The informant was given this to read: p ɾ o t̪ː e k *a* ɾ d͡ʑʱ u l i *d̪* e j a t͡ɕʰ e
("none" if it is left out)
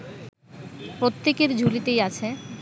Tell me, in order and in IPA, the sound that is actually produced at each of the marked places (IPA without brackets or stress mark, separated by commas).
e, t̪